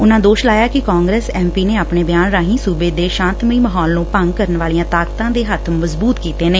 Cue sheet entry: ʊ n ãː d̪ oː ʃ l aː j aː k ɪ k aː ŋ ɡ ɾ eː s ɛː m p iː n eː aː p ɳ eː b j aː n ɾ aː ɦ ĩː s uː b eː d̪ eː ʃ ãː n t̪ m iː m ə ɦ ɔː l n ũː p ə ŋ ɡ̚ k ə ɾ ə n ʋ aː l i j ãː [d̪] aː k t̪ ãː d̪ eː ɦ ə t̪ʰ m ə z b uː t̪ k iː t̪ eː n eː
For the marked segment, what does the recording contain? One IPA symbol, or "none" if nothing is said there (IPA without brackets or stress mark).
t̪